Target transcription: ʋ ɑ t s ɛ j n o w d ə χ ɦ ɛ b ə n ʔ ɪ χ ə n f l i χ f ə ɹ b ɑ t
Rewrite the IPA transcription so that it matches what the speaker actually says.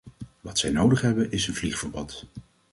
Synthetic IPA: ʋ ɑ t s ɛ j n o w d ə χ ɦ ɛ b ə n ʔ ɪ s ə n v l i χ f ə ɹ b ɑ t